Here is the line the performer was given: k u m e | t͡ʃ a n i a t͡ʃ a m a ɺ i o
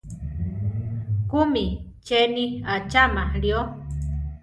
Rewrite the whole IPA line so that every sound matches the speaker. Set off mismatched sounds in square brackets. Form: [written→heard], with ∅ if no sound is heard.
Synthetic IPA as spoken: k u m [e→i] | t͡ʃ [a→e] n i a t͡ʃ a m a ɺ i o

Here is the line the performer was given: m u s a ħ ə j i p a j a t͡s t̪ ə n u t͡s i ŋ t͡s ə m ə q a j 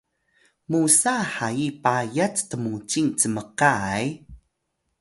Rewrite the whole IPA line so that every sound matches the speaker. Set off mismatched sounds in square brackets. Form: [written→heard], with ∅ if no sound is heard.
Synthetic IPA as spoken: m u s a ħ [ə→a] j i p a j a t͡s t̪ ə [n→m] u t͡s i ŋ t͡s ə m ə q a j

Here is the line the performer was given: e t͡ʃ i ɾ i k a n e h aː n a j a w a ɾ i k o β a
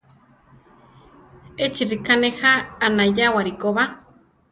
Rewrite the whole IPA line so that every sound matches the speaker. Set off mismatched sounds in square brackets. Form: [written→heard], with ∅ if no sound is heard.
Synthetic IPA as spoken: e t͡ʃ i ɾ i k a n e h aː n a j a w a ɾ i k o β a

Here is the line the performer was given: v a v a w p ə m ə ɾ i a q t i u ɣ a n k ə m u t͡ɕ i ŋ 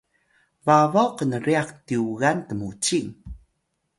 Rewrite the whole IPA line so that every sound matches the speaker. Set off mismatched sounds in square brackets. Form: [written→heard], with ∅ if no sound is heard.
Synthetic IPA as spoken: v a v a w [p→q] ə [m→n] ə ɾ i a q t i u ɣ a n [k→t] ə m u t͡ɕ i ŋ

